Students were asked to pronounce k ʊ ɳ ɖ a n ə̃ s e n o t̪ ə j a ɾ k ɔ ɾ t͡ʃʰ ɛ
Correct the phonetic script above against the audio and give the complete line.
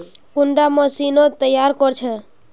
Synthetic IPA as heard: k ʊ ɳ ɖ a m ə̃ s i n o t̪ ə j a ɾ k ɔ ɾ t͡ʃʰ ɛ